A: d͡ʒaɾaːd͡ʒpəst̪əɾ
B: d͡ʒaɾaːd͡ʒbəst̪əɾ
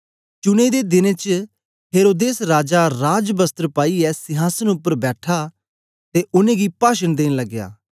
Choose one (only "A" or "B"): B